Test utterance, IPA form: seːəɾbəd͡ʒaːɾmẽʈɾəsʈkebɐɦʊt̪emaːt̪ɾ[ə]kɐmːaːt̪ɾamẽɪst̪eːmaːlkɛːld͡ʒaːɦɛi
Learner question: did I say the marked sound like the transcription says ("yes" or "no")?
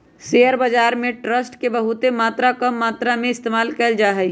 no